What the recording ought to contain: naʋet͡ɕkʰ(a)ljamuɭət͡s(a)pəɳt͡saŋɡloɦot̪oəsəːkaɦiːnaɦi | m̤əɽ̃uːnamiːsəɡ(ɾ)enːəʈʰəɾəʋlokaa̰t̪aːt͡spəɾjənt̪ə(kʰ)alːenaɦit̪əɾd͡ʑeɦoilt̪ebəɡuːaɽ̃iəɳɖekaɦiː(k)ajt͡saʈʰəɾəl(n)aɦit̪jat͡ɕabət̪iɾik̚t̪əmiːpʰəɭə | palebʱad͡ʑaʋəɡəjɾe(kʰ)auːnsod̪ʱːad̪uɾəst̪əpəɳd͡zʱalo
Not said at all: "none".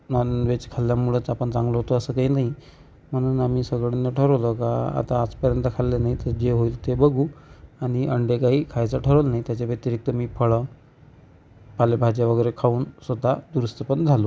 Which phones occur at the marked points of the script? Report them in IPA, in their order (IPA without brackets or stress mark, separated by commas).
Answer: a, a, ɭ, kʰ, kʰ, n, kʰ